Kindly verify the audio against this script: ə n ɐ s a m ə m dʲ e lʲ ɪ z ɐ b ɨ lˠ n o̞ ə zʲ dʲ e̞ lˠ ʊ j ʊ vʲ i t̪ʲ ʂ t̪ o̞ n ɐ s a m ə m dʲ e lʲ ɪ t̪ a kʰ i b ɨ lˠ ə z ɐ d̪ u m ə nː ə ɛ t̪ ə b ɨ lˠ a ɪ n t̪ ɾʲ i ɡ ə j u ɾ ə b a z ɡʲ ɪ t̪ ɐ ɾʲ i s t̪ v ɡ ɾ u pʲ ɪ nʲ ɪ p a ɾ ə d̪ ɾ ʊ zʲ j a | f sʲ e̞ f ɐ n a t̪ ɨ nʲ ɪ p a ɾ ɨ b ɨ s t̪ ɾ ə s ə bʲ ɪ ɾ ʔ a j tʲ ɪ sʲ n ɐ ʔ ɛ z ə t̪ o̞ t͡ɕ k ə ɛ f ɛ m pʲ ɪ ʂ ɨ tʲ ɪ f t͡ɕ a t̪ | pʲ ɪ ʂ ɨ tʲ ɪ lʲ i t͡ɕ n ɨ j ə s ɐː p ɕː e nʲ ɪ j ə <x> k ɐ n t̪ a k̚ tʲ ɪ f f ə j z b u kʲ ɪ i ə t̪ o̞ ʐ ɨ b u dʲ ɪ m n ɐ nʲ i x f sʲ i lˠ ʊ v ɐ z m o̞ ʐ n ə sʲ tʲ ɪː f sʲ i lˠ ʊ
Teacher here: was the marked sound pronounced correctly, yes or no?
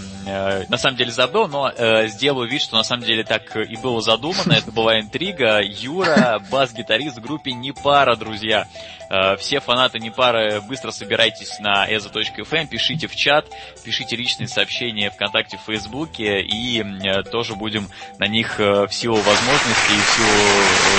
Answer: no